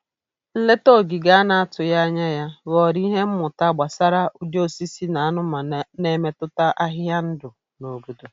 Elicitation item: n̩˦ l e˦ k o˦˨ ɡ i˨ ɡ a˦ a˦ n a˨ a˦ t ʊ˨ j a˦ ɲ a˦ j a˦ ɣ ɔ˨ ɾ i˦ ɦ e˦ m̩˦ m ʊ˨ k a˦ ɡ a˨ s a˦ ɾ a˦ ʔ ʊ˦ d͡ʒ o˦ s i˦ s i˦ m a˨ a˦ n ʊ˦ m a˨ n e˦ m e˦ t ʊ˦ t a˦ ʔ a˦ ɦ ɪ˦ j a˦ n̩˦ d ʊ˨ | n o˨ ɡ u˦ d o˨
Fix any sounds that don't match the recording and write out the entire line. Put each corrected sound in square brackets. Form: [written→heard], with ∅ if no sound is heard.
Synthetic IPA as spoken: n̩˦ l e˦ [k→t] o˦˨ ɡ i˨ ɡ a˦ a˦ n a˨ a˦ t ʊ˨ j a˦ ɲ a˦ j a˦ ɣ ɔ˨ ɾ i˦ ɦ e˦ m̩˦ m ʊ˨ [k→t] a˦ [ɡ→ɡ͡b] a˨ s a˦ ɾ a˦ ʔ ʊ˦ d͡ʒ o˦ s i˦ s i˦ [m→n] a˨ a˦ n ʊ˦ m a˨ n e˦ m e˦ t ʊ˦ t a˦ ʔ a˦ ɦ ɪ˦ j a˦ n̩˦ d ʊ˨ | n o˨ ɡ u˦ d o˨